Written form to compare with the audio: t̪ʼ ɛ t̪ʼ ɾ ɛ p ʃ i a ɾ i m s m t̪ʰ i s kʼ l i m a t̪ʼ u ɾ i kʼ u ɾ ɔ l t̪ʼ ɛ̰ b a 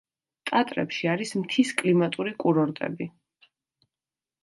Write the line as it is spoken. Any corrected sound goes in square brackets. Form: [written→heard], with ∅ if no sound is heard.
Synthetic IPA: t̪ʼ [ɛ→a] t̪ʼ ɾ ɛ p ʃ i a ɾ i [m→∅] s m t̪ʰ i s kʼ l i m a t̪ʼ u ɾ i kʼ u ɾ ɔ [l→ɾ] t̪ʼ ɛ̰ b [a→i]

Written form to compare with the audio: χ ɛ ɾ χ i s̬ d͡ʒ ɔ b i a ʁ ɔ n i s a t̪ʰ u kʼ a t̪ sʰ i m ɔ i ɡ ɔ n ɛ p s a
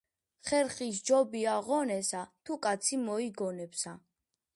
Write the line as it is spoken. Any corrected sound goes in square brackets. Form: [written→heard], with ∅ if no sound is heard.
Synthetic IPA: χ ɛ ɾ χ i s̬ d͡ʒ ɔ b i a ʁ ɔ n [i→ɛ] s a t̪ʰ u kʼ a t̪ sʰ i m ɔ i ɡ ɔ n ɛ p s a

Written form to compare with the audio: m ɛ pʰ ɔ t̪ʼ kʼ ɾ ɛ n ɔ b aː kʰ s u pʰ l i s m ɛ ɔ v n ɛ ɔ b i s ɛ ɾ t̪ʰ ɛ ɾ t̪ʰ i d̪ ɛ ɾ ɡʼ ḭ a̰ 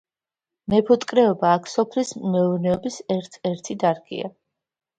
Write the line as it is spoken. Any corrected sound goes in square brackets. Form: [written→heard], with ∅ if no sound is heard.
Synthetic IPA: m ɛ pʰ ɔ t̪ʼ kʼ ɾ ɛ [n→∅] ɔ b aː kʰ s [u→ɔ] pʰ l i s m ɛ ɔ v n ɛ ɔ b i s ɛ ɾ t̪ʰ ɛ ɾ t̪ʰ i d̪ [ɛ→a] ɾ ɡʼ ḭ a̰

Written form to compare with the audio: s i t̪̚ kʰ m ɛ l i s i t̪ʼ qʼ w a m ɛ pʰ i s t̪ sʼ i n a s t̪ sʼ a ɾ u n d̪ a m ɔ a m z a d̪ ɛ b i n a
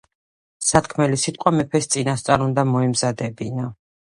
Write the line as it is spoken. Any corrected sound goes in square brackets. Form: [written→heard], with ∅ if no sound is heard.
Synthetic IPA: s [i→a] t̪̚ kʰ m ɛ l i s i t̪ʼ qʼ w a m ɛ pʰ [i→ɛ] s t̪ sʼ i n a s t̪ sʼ a ɾ u n d̪ a m ɔ [a→ɛ] m z a d̪ ɛ b i n a

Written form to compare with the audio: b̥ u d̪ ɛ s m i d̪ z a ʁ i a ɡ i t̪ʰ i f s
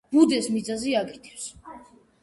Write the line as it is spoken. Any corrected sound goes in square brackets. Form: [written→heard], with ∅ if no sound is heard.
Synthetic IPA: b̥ u d̪ ɛ s m i d̪ z a [ʁ→z] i a ɡ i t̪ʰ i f s

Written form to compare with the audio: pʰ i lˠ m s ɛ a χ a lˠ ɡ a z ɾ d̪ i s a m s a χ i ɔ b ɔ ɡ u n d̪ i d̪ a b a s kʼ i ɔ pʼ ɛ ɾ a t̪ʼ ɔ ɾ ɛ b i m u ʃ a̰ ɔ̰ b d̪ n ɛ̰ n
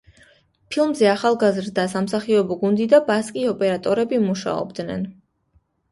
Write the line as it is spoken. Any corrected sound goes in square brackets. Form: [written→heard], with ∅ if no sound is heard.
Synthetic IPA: pʰ i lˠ m [s→z] ɛ a χ a lˠ ɡ a z ɾ d̪ [i→a] s a m s a χ i ɔ b ɔ ɡ u n d̪ i d̪ a b a s kʼ i ɔ pʼ ɛ ɾ a t̪ʼ ɔ ɾ ɛ b i m u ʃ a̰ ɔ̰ b d̪ n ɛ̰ n

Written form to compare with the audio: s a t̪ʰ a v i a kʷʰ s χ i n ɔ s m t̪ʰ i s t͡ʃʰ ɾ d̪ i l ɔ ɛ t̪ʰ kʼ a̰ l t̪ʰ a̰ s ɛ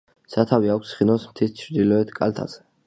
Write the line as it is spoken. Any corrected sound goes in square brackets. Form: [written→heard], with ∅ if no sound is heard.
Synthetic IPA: s a t̪ʰ a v i a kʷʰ s χ i n ɔ s m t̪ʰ i s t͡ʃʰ ɾ d̪ i l ɔ ɛ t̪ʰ kʼ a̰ l t̪ʰ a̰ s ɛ

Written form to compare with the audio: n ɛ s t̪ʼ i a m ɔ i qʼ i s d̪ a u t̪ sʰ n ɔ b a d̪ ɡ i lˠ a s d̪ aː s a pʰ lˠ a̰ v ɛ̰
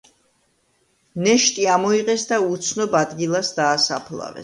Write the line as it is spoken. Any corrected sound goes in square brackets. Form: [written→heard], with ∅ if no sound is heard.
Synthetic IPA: n ɛ [s→ʃ] t̪ʼ i a m ɔ i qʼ [i→ɛ] s d̪ a u t̪ sʰ n ɔ b a d̪ ɡ i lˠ a s d̪ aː s a pʰ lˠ a̰ v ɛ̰

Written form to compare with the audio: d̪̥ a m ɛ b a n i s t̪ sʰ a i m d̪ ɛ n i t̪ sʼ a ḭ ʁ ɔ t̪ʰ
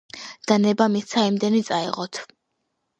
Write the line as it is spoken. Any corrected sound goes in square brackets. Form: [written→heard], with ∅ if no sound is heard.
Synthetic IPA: d̪̥ a [m→n] ɛ b a [n→m] i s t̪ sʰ a i m d̪ ɛ n i t̪ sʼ a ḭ ʁ ɔ t̪ʰ

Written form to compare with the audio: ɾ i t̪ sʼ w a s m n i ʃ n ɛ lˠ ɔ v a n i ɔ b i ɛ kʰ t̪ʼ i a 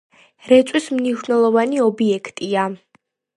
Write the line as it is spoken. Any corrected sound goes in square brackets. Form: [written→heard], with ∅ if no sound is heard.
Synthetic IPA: ɾ [i→ɛ] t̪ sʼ w [a→i] s m n i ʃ n ɛ lˠ ɔ v a n i ɔ b i ɛ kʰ t̪ʼ i a

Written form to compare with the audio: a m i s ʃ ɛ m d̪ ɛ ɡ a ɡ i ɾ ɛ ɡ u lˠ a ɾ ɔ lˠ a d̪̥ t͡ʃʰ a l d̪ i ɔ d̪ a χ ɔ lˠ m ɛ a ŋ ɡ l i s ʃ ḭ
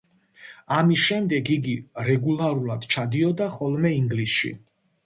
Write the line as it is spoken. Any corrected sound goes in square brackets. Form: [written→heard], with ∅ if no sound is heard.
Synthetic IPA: a m i s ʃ ɛ m d̪ ɛ ɡ [a→i] ɡ i ɾ ɛ ɡ u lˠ a ɾ [ɔ→u] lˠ a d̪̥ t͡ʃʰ a [l→∅] d̪ i ɔ d̪ a χ ɔ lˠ m ɛ [a→i] ŋ ɡ l i s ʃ ḭ

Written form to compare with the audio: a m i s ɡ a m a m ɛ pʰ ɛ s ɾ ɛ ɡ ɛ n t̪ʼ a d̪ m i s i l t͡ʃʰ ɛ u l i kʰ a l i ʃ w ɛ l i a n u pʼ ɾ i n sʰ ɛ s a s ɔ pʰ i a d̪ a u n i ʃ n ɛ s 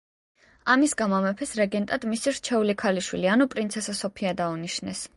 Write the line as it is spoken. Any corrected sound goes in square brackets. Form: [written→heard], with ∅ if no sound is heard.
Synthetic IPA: a m i s ɡ a m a m ɛ pʰ ɛ s ɾ ɛ ɡ ɛ n t̪ʼ a d̪ m i s i [l→ɾ] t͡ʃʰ ɛ u l i kʰ a l i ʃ w [ɛ→i] l i a n u pʼ ɾ i n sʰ ɛ s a s ɔ pʰ i a d̪ a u n i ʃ n ɛ s

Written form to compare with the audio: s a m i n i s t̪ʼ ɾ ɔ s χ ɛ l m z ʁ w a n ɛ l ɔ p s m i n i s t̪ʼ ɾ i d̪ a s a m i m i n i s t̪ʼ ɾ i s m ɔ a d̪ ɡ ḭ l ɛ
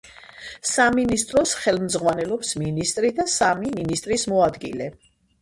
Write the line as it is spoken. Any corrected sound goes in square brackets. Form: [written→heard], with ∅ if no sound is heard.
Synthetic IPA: s a m i n i s t̪ʼ ɾ ɔ s χ ɛ l m z ʁ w a n ɛ l ɔ p s m i n i s t̪ʼ ɾ i d̪ a s a m i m i n i s t̪ʼ ɾ i s m ɔ a d̪ ɡ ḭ l ɛ

